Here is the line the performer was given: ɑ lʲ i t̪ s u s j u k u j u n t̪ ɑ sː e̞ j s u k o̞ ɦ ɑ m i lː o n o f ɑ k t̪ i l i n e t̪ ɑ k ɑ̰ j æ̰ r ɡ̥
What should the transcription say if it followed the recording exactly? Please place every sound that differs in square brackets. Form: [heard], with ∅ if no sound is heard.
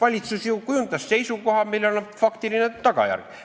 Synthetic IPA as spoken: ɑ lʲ i t̪ s u s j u k u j u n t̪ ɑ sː e̞ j s u k o̞ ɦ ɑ m i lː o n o f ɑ k t̪ i l i n e t̪ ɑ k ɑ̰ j æ̰ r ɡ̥